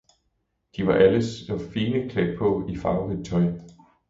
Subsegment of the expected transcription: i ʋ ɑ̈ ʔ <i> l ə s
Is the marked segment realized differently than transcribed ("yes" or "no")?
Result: yes